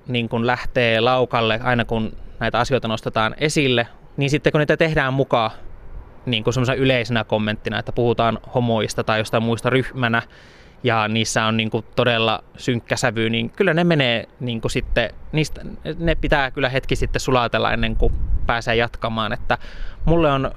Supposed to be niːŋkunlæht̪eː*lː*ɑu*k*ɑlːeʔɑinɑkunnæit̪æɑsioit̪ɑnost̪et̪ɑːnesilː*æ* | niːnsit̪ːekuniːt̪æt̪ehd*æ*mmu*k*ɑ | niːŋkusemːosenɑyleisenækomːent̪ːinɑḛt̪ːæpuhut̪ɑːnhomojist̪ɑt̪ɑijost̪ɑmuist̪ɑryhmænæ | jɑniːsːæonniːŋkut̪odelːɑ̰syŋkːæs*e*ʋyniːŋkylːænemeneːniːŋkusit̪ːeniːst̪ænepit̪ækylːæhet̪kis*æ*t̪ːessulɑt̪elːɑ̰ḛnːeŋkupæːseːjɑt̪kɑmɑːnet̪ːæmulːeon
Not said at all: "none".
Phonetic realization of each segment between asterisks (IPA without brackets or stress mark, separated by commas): l, k, e, æː, k, æ, i